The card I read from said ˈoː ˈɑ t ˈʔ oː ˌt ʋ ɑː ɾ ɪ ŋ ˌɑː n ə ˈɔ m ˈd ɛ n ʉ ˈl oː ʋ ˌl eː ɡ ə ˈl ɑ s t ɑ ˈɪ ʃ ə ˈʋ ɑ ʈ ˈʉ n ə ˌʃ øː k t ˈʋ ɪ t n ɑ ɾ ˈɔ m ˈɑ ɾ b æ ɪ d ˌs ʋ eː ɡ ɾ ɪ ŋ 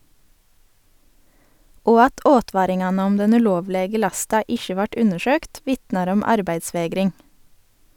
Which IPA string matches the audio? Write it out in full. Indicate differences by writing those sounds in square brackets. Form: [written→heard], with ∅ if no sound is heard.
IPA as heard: ˈoː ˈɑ t ˈʔ oː ˌt ʋ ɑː ɾ ɪ ŋ ˌɑː n ə ˈɔ m ˈd ɛ n ʉ ˈl oː ʋ ˌl eː ɡ ə ˈl ɑ s t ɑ ˈɪ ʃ ə ˈʋ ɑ ʈ ˈʉ n ə ˌʃ øː k t ˈʋ ɪ t n ɑ ɾ ˈɔ m ˈɑ ɾ b æ ɪ d ˌs ʋ eː ɡ ɾ ɪ ŋ